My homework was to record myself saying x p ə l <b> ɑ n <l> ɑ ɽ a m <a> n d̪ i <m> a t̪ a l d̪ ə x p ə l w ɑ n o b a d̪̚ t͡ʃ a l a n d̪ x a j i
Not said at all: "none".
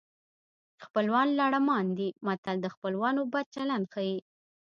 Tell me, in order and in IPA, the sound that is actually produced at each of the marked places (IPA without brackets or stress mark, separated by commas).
w, l, ɑ, m